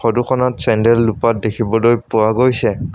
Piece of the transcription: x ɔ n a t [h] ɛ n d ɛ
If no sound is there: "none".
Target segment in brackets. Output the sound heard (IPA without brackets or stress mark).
s